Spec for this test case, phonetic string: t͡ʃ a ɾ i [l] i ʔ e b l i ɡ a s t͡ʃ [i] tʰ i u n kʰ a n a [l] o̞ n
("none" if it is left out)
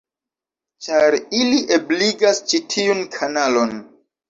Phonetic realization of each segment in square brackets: l, i, l

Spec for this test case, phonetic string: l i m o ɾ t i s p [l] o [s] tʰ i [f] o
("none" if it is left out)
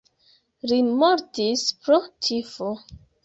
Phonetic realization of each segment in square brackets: ɾ, none, f

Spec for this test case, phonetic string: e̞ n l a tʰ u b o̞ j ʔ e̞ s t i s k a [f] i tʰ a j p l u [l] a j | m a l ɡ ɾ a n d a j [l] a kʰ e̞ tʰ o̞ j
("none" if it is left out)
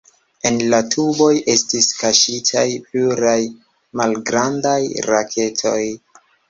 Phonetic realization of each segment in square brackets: ʃ, ɾ, ɾ

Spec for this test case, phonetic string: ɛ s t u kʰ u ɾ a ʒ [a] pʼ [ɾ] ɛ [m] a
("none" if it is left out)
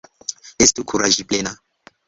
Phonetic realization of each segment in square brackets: i, l, n

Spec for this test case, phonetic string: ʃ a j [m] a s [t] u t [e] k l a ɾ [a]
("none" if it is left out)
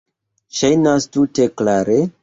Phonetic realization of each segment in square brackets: n, t, e, e

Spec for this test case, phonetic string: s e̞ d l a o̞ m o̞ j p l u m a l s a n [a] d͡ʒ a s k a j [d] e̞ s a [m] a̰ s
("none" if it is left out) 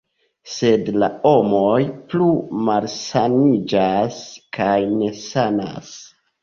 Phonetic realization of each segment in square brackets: i, n, n

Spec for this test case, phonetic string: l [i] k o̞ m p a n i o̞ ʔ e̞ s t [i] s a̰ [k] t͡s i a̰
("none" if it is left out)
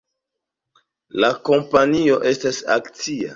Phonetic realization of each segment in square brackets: a, a, k

